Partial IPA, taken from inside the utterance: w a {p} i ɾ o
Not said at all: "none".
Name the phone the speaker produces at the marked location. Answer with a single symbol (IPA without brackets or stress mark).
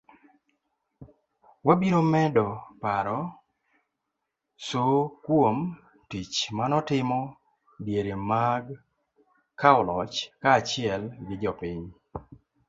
b